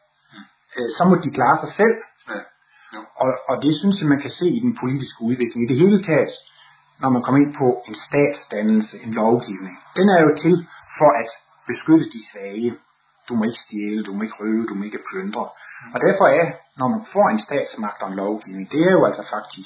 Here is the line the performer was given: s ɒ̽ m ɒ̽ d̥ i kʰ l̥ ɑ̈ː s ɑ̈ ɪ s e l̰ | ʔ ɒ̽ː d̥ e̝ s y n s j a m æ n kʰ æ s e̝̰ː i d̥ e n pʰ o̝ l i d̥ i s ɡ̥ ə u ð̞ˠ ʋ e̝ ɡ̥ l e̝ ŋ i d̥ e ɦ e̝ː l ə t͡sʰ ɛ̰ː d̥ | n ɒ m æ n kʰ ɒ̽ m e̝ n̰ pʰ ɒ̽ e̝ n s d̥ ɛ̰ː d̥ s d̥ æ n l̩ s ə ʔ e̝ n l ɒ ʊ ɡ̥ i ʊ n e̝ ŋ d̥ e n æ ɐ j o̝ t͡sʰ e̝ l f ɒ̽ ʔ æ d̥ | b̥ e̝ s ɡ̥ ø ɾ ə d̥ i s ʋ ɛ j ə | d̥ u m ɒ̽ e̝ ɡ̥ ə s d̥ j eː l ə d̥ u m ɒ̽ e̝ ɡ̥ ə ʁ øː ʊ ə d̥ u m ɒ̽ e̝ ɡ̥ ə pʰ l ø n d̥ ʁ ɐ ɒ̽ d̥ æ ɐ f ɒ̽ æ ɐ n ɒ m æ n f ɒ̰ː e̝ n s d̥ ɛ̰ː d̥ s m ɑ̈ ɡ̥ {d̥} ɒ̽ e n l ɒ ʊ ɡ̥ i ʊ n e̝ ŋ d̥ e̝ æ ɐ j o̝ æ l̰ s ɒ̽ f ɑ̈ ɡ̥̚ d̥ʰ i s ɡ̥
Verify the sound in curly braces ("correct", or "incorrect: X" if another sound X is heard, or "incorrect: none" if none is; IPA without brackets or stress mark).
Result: correct